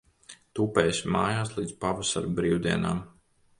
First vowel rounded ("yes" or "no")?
yes